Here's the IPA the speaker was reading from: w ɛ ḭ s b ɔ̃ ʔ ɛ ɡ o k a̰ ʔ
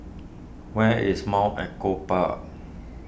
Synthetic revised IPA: w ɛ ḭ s m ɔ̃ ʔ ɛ k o p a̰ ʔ